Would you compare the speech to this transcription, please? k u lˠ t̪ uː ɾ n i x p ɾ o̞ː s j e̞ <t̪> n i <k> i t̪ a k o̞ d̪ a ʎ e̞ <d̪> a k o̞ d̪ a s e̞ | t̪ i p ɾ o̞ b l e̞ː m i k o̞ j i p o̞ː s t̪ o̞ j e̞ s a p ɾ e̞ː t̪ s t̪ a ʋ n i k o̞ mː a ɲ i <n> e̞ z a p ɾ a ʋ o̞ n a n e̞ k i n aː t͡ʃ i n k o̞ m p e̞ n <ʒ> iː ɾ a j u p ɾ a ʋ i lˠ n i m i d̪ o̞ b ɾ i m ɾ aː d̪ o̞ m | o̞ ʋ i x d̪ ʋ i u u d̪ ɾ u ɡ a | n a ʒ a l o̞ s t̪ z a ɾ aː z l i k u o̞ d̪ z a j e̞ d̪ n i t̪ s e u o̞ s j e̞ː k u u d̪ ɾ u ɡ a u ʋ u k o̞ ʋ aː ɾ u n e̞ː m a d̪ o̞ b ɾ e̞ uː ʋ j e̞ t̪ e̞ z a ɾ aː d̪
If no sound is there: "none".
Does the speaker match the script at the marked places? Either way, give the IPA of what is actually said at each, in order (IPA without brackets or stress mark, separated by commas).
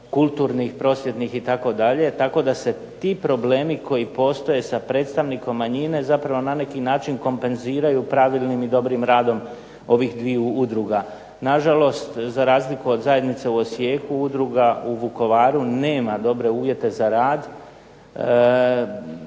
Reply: t̪, x, t̪, n, z